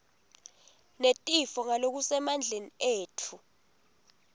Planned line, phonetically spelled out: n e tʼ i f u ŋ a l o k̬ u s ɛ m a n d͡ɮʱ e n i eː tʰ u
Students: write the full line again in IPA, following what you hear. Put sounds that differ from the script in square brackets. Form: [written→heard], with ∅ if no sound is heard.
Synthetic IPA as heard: n e tʼ i f [u→ɔ] ŋ a l o k̬ u s ɛ m a n d͡ɮʱ e n i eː tʰ u